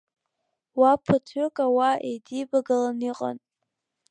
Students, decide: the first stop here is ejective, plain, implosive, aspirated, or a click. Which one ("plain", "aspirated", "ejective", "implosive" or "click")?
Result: aspirated